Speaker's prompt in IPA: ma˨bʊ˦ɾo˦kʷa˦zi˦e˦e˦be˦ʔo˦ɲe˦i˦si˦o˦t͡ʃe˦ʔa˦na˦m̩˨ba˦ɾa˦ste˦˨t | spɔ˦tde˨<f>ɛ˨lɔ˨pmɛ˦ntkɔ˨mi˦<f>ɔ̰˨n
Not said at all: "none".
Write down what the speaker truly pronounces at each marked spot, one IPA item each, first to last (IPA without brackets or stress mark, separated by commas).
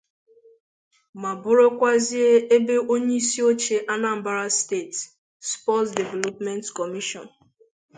v, ʃ